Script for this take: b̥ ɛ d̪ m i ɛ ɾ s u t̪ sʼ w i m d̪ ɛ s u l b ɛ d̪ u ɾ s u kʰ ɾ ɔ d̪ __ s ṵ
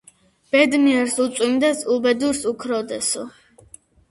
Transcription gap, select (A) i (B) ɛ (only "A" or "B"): B